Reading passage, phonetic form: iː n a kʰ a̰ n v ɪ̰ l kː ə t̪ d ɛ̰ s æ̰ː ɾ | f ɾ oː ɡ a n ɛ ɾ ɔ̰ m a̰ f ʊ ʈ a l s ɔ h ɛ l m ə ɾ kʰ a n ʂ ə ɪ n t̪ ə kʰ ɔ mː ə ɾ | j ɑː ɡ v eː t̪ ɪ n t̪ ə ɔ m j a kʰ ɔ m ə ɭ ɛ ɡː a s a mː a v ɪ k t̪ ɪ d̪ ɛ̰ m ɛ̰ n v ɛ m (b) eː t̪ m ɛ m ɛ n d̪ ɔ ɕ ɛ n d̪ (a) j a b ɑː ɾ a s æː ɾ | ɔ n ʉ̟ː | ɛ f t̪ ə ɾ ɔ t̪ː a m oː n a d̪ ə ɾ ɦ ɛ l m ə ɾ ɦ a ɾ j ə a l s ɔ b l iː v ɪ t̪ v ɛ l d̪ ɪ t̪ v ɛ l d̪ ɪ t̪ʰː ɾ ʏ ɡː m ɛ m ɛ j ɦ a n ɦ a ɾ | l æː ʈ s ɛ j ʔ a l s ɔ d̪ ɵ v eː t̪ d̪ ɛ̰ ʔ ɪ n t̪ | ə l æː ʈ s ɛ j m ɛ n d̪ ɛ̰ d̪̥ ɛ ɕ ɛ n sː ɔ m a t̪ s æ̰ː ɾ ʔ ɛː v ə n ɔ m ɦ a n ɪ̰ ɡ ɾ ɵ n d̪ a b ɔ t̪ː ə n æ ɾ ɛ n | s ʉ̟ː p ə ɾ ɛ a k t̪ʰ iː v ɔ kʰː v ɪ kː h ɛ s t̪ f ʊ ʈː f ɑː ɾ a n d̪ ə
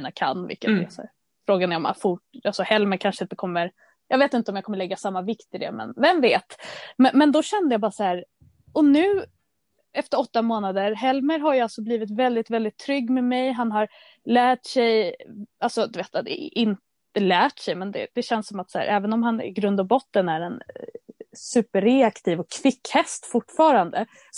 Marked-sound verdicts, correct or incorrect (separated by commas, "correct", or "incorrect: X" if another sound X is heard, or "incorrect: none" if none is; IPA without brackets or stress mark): incorrect: v, incorrect: ə